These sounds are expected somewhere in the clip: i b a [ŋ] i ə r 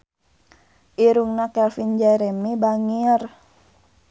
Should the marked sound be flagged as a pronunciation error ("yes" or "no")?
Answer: no